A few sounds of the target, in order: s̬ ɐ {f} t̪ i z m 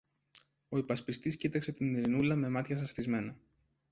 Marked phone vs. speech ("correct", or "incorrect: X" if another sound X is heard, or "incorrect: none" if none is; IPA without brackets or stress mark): incorrect: s